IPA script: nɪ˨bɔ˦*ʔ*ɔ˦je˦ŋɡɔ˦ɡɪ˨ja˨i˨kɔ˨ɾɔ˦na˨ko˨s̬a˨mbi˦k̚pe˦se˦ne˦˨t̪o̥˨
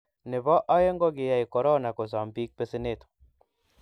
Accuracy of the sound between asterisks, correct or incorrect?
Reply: correct